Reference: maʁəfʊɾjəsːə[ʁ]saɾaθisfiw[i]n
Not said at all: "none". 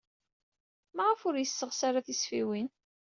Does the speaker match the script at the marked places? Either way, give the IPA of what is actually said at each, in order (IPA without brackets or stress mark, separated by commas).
ʁ, i